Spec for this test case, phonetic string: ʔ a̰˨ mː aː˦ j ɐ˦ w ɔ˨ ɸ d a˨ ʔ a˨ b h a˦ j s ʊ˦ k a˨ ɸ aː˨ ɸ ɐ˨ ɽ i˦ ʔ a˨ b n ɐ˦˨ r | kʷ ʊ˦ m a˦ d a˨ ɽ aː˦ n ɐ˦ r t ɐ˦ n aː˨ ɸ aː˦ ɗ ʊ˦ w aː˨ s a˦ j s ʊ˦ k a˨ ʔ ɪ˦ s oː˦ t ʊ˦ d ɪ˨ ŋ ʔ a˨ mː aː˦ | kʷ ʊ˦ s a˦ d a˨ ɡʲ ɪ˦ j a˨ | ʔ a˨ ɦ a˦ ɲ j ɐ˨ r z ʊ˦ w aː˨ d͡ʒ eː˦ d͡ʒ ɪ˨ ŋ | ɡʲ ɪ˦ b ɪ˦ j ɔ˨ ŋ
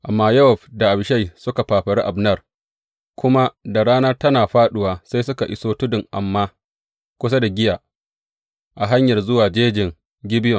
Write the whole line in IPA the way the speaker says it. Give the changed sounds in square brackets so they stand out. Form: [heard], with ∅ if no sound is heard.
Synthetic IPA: ʔ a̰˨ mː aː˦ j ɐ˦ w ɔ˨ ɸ d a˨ ʔ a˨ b [ʃ] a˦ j s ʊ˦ k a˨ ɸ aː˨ ɸ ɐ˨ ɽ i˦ ʔ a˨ b n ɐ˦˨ r | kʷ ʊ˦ m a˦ d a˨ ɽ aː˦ n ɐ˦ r t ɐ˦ n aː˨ ɸ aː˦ ɗ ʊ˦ w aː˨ s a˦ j s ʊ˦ k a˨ ʔ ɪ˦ s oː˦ t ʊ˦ d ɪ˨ ŋ ʔ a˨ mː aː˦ | kʷ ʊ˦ s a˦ d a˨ ɡʲ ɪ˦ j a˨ | ʔ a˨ ɦ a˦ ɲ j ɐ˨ r z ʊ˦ w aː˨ d͡ʒ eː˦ d͡ʒ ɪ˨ ŋ | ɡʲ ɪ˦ b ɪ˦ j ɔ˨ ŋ

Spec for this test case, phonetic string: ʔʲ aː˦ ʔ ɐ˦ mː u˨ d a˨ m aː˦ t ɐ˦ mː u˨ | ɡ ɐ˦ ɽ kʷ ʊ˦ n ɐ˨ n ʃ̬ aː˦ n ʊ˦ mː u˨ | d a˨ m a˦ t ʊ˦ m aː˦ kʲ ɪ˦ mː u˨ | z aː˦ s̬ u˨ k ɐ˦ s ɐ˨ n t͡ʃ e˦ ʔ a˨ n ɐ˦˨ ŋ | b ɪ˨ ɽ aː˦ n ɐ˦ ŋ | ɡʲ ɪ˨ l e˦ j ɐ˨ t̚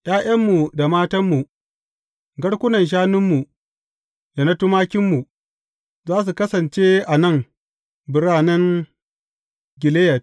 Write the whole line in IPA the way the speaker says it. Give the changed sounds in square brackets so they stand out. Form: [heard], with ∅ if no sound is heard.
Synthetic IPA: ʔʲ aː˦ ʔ ɐ˦ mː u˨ d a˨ m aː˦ t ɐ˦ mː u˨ | ɡ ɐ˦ ɽ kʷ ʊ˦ n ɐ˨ n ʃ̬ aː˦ n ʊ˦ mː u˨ | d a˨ [n] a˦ t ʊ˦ m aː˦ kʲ ɪ˦ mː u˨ | z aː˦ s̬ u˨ k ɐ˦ s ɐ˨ n t͡ʃ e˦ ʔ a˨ n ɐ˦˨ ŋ | b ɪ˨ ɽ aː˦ n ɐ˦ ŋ | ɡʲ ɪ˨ l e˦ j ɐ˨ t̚

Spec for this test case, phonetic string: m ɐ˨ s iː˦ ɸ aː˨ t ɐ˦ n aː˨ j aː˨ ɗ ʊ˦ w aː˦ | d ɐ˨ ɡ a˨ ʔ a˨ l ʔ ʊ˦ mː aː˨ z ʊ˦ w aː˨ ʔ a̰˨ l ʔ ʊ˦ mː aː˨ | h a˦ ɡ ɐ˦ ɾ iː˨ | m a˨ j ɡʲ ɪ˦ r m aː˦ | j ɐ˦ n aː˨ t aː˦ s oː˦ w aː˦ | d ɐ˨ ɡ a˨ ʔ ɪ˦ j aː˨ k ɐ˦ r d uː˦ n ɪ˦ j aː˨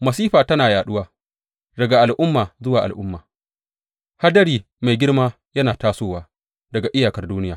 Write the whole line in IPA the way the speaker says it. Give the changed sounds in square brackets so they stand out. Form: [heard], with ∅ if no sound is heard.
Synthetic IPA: m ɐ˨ s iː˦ ɸ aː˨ t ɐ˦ n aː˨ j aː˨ ɗ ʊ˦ w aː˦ | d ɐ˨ ɡ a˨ ʔ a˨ l ʔ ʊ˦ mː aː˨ z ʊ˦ w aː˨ ʔ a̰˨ l ʔ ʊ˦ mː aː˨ | h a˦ [d] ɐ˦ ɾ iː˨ | m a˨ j ɡʲ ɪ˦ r m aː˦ | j ɐ˦ n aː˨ t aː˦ s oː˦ w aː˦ | d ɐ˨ ɡ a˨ ʔ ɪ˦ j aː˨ k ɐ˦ r d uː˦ n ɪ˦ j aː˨

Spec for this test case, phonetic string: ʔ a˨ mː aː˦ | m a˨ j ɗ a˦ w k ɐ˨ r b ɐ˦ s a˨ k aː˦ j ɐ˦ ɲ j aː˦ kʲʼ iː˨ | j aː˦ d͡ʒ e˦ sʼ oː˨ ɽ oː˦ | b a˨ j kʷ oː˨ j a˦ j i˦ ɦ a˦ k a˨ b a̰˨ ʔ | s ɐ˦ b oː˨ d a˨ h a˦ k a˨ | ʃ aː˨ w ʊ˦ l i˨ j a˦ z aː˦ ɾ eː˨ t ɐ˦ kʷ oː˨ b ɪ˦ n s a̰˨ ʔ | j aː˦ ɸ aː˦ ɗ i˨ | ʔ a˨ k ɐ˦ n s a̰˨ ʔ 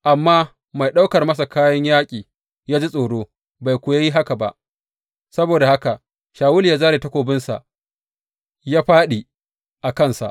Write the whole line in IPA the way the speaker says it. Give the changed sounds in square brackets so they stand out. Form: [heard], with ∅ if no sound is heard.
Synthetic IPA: ʔ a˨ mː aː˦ | m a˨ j ɗ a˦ w k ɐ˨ r [m] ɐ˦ s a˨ k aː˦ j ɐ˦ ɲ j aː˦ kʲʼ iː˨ | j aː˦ d͡ʒ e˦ sʼ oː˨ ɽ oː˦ | b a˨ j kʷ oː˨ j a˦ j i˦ ɦ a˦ k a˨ b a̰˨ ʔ | s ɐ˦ b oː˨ d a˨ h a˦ k a˨ | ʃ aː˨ w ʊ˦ l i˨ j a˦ z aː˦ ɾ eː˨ t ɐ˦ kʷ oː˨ b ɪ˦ n s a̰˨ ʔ | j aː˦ ɸ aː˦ ɗ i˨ | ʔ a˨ k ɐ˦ n s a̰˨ ʔ

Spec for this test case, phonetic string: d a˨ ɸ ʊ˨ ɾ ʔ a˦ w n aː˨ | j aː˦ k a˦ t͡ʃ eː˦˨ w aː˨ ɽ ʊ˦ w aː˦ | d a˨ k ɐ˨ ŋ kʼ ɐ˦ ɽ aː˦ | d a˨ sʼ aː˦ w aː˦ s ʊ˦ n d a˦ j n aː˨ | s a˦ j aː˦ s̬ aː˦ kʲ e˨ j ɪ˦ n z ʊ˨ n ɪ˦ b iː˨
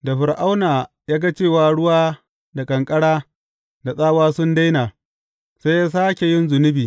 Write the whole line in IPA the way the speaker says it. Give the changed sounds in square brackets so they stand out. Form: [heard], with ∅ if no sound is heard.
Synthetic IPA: d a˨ ɸ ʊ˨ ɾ ʔ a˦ w n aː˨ | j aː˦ [ɡ] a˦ t͡ʃ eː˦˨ w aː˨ ɽ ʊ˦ w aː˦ | d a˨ [kʼ] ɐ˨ ŋ kʼ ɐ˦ ɽ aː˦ | d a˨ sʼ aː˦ w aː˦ s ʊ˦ n d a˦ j n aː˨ | s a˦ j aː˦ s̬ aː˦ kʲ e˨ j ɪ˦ n z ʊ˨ n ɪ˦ b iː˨

